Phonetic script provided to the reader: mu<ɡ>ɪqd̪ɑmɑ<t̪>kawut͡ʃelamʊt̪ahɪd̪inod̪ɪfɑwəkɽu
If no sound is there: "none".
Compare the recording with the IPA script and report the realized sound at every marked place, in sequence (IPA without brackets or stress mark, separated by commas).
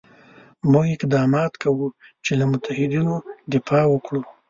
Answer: ɡ, t̪